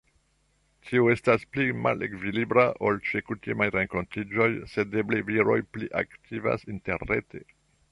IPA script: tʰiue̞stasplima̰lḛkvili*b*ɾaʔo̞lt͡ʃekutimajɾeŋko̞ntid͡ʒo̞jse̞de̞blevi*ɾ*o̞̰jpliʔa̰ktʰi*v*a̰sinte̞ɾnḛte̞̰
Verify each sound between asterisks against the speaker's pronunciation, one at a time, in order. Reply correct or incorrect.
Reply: correct, correct, correct

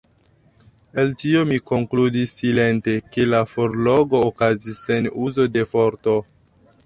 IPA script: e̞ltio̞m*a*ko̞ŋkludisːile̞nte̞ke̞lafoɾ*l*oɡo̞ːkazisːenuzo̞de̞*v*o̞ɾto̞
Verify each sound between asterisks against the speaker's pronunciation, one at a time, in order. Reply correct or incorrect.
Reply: incorrect: i, correct, incorrect: f

